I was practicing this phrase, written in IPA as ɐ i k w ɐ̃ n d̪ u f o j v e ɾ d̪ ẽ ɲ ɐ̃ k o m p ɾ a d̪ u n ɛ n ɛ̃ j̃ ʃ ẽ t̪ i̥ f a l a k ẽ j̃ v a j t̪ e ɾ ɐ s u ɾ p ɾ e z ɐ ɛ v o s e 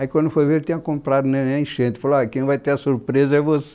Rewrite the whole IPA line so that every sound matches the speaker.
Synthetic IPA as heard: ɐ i k w ɐ̃ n d̪ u f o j v e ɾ t̪ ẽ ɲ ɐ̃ k õ m p ɾ a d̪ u n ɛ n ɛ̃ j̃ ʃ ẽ t̪ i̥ f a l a k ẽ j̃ v a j t̪ e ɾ ɐ s u ɾ p ɾ e z ɐ ɛ v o s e